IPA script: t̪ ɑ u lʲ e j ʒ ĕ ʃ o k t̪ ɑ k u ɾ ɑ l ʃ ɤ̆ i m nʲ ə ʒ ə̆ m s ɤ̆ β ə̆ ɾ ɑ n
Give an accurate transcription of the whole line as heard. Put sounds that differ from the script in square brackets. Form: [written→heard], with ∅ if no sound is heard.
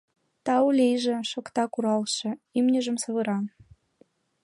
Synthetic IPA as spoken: t̪ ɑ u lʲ e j ʒ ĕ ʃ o k t̪ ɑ k u ɾ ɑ l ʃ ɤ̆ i m nʲ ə ʒ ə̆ m s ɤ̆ β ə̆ ɾ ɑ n